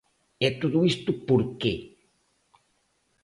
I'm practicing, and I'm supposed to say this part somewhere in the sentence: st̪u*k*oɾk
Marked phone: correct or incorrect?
incorrect